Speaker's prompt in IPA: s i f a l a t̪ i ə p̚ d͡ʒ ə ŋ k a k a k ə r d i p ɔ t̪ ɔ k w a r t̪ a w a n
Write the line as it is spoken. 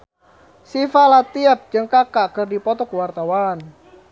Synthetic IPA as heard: s i f a l a t̪ i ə p̚ d͡ʒ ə ŋ k a k a k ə r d i p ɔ t̪ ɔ k w a r t̪ a w a n

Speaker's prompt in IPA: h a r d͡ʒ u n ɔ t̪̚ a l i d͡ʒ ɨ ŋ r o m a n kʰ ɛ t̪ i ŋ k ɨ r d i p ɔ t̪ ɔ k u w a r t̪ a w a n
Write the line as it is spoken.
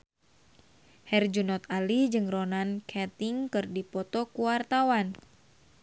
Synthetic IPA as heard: h ɛ r d͡ʒ u n ɔ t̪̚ a l i d͡ʒ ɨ ŋ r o n a n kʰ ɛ t̪ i ŋ k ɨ r d i p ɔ t̪ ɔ k u w a r t̪ a w a n

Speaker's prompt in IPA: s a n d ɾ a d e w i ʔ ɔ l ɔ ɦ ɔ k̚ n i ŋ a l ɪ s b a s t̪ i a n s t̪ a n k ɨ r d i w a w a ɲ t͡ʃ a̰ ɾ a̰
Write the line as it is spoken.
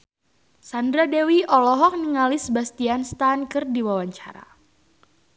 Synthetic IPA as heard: s a n d ɾ a d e w i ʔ ɔ l ɔ ɦ ɔ k̚ n i ŋ a l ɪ s b a s t̪ i a n s t̪ a n k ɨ r d i w a w a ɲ t͡ʃ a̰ ɾ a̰

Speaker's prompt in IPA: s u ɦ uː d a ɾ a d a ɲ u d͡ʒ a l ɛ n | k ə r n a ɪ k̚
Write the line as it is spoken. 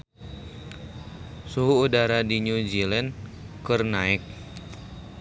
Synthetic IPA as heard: s u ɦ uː d a ɾ a d i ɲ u d͡ʒ i l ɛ n | k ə r n a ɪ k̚

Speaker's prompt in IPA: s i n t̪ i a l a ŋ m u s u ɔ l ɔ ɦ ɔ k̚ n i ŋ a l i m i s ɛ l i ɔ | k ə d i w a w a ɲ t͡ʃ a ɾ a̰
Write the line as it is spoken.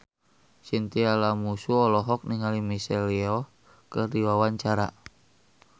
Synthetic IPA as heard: s i n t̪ i a l a m u s u ɔ l ɔ ɦ ɔ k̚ n i ŋ a l i m i s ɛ l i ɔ | k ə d i w a w a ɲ t͡ʃ a ɾ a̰

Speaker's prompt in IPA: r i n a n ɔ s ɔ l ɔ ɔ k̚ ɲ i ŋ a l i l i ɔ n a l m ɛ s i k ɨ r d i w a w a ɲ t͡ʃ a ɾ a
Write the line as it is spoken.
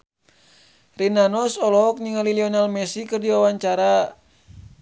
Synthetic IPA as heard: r i n a n ɔ s ɔ l ɔ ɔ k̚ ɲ i ŋ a l i l i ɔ n a l m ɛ s i k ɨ r d i w a w a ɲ t͡ʃ a ɾ a

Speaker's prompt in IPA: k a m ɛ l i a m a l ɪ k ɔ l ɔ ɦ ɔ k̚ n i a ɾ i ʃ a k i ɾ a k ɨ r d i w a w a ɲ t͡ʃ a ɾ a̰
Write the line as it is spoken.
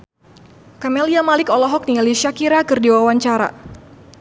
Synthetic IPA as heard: k a m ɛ l i a m a l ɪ k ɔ l ɔ ɦ ɔ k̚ n i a l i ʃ a k i ɾ a k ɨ r d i w a w a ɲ t͡ʃ a ɾ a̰

